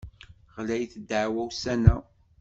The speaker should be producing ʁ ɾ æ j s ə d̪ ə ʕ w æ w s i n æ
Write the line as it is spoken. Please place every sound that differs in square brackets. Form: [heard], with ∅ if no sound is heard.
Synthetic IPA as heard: ʁ [l] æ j [θ] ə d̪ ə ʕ w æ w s [æ] n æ